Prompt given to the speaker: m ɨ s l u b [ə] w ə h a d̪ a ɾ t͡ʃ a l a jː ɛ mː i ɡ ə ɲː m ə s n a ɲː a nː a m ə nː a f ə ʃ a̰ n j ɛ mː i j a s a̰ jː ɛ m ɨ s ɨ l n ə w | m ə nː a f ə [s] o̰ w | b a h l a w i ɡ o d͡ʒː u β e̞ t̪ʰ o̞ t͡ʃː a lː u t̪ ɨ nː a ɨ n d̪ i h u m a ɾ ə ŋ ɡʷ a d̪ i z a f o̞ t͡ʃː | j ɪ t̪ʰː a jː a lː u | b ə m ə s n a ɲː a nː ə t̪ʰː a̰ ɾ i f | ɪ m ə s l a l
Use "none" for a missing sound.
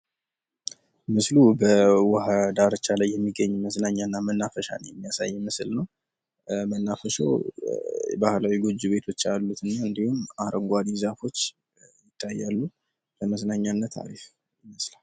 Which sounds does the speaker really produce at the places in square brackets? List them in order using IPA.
ə, ʃ

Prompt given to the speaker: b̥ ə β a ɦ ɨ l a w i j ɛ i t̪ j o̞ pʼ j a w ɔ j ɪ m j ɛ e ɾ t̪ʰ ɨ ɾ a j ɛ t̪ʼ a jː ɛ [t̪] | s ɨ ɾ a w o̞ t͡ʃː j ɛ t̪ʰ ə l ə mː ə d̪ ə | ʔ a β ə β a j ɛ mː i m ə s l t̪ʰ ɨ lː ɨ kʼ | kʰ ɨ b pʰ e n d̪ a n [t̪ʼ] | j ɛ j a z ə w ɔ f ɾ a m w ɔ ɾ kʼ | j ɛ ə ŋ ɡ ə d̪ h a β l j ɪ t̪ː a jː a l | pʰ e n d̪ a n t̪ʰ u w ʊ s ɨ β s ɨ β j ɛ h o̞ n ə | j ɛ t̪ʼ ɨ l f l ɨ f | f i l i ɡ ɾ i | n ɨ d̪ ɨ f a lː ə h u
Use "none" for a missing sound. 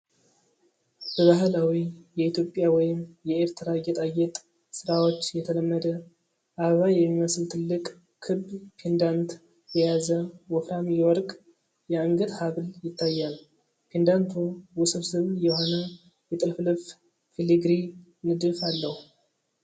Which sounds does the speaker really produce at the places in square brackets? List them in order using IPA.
t̪ʼ, t̪

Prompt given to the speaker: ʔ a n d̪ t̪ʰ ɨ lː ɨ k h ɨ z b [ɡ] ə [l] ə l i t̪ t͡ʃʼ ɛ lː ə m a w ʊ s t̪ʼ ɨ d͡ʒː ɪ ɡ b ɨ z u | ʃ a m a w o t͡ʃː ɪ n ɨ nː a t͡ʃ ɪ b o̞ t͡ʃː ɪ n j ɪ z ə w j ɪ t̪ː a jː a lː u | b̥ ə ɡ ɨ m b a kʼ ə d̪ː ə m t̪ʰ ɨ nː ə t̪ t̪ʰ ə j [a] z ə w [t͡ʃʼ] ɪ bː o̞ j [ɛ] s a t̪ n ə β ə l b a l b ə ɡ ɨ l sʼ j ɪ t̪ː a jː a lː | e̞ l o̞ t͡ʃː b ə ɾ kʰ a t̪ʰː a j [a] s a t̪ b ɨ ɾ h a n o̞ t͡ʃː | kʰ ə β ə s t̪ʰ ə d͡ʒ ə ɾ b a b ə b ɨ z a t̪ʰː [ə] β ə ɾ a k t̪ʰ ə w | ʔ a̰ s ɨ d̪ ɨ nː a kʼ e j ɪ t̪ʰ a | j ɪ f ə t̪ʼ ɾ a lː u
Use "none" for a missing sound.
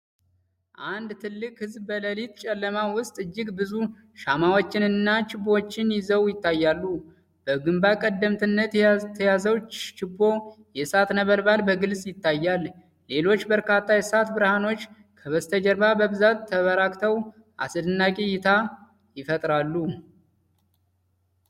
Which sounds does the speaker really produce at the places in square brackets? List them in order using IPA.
b, l, a, t͡ʃ, ɛ, ɛ, ə

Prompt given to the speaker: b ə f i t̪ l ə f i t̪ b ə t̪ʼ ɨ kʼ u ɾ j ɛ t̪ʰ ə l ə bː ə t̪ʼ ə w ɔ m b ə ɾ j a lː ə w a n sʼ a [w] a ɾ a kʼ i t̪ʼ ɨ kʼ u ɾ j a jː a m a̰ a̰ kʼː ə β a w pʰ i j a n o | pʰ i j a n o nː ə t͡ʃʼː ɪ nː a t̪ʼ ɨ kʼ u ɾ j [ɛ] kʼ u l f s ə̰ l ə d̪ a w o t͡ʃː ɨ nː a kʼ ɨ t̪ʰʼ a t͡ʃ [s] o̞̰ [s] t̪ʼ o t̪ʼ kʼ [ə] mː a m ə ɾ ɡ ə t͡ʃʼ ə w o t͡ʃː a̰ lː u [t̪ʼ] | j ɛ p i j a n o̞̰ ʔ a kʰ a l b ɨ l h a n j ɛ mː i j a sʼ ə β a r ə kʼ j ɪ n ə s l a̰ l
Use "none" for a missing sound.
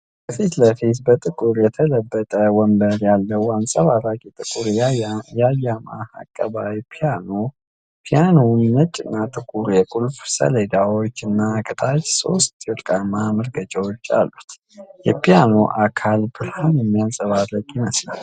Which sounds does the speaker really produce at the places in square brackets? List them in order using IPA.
β, ɛ, s, s, a, t̪

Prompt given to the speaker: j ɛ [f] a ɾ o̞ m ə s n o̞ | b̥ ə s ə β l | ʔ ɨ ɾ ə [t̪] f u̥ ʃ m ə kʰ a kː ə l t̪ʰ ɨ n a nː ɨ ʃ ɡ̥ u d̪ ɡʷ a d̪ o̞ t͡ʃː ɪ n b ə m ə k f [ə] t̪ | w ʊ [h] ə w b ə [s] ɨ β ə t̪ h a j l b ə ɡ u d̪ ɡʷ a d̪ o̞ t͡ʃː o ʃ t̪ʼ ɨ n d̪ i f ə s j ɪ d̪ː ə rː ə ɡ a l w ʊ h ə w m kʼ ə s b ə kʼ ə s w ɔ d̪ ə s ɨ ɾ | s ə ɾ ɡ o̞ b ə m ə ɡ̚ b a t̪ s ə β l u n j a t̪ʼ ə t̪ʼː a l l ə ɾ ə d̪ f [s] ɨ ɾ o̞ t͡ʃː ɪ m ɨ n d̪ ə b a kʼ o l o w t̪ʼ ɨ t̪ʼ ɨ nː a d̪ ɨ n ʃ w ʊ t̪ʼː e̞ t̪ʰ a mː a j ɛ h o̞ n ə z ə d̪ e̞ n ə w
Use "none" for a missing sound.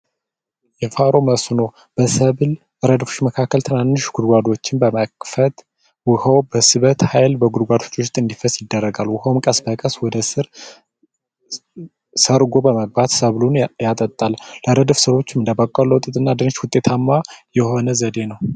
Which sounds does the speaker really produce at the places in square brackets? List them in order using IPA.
f, d̪, ə, h, s, s

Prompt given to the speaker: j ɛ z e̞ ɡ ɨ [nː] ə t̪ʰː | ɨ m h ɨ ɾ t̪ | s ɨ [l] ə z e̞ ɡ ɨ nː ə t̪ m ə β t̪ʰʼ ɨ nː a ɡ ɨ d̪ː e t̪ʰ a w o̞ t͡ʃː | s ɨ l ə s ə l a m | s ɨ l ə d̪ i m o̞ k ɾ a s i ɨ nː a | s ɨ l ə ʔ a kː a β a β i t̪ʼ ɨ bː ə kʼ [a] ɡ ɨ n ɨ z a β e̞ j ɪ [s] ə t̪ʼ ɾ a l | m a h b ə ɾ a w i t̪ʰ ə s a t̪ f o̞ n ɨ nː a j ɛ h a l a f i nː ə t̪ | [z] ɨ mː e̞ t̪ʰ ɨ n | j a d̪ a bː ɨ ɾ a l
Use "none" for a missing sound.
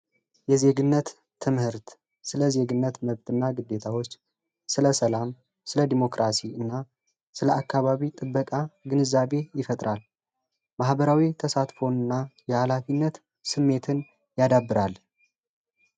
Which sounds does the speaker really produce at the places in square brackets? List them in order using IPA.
nː, l, a, f, s

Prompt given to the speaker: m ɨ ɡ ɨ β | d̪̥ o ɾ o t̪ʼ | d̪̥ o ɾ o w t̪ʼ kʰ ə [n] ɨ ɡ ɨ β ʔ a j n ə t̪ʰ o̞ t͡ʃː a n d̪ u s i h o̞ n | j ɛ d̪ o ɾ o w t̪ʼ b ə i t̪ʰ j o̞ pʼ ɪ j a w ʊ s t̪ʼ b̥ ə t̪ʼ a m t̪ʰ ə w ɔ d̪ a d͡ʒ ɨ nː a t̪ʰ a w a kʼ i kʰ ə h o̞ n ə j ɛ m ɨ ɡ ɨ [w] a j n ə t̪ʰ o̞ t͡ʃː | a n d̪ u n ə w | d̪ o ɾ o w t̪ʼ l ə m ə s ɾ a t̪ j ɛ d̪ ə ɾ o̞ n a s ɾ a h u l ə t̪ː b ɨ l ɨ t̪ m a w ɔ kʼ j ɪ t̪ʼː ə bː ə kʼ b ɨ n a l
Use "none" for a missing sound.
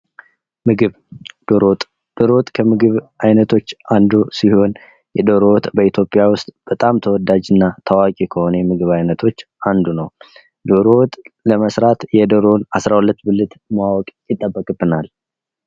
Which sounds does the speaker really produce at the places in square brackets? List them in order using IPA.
m, β

